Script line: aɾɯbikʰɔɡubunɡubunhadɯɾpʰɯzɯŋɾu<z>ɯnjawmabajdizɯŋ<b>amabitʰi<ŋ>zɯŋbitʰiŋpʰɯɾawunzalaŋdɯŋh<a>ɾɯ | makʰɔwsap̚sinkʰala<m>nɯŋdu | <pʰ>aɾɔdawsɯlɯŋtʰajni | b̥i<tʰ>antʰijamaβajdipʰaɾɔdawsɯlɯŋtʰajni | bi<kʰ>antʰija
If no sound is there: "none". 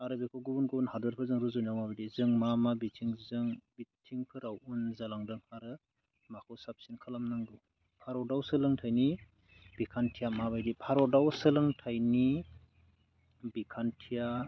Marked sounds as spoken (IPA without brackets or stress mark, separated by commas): z, m, ŋ, a, m, pʰ, kʰ, kʰ